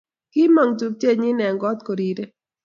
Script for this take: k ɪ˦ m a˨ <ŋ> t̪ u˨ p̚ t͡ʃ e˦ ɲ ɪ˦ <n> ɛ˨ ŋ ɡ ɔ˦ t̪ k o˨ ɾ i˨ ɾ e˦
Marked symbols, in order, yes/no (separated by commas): yes, yes